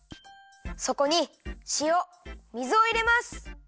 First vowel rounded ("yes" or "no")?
yes